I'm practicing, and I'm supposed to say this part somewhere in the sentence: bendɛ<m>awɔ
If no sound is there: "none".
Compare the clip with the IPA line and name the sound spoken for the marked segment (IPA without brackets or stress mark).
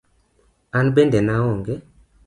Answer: n